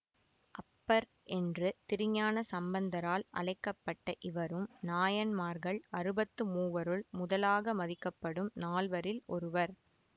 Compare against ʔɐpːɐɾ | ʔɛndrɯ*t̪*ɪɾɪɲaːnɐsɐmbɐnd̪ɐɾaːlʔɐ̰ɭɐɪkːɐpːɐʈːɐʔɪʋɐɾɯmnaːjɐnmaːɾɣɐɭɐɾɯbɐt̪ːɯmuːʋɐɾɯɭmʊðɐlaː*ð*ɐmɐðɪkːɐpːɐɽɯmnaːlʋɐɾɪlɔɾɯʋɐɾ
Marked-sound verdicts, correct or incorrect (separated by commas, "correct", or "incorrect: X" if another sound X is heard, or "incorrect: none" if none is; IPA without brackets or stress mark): correct, incorrect: ɣ